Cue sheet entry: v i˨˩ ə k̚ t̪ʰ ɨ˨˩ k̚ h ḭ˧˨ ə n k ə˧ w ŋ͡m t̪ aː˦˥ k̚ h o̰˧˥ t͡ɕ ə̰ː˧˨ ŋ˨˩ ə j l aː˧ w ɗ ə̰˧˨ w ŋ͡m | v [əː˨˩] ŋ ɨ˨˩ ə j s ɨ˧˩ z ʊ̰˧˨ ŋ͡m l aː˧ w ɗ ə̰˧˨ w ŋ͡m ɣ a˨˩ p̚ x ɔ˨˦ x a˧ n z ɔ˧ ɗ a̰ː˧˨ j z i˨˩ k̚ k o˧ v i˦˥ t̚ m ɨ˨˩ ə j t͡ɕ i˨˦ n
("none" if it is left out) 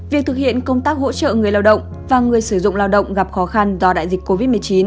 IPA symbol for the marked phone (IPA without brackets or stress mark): aː˨˩